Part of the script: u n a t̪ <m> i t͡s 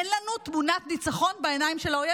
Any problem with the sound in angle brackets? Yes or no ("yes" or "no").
yes